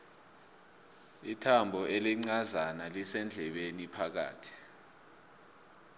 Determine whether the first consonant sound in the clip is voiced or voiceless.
voiceless